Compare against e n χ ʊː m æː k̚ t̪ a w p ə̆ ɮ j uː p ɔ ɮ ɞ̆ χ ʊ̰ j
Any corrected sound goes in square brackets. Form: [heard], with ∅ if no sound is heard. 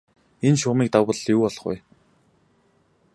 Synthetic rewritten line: e n [ʃ] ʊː m [iː] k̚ t̪ a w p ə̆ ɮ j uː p ɔ ɮ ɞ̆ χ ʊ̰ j